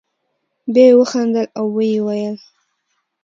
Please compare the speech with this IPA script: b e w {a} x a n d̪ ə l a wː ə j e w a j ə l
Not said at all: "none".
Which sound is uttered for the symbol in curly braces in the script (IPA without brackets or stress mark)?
ə